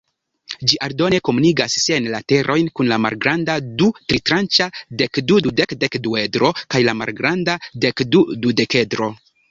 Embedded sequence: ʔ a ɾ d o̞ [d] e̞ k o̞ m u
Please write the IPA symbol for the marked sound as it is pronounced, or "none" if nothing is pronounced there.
n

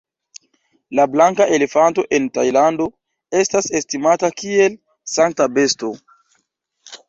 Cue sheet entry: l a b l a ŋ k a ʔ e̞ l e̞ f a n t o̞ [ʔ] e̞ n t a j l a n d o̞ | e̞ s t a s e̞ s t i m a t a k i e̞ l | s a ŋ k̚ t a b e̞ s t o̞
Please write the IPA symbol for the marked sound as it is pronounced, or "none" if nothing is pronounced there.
ʔ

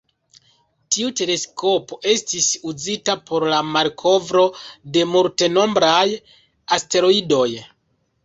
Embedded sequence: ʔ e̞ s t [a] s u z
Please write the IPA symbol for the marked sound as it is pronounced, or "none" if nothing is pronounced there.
i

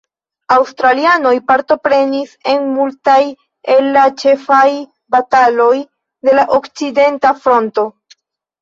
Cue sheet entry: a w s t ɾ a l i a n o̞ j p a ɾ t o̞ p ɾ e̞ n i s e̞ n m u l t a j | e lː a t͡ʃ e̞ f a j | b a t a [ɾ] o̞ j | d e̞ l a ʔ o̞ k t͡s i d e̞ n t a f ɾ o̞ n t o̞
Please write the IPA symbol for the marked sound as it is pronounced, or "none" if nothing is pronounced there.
l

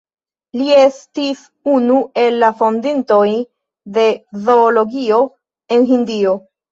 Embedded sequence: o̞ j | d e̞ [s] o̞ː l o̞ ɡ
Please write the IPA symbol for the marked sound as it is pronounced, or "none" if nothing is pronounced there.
z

